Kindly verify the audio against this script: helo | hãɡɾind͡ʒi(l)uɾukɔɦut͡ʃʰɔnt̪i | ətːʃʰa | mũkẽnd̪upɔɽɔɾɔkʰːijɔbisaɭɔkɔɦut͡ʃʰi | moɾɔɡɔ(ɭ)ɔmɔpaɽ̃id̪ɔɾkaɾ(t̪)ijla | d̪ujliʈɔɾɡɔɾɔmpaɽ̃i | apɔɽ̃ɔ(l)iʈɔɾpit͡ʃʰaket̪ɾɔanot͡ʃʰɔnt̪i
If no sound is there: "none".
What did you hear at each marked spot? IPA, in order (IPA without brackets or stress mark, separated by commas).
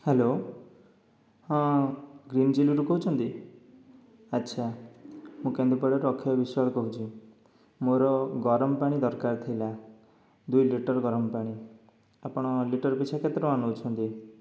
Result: l, ɾ, t̪ʰ, l